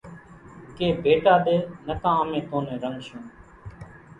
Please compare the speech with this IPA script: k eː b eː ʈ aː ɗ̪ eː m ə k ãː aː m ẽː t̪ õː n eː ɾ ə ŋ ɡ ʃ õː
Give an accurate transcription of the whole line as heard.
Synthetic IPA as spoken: k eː b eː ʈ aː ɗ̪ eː n ə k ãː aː m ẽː t̪ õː n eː ɾ ə ŋ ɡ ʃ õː